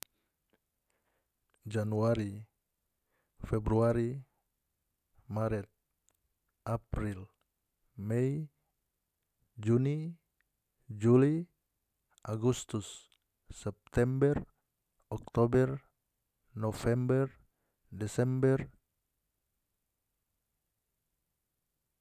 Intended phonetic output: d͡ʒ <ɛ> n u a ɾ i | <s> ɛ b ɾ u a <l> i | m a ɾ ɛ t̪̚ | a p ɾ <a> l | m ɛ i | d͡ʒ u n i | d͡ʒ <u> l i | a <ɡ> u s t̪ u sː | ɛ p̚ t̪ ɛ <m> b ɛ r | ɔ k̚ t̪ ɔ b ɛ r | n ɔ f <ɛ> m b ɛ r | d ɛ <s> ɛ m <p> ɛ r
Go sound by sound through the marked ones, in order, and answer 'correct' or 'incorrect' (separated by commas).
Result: incorrect, incorrect, incorrect, incorrect, correct, correct, correct, correct, correct, incorrect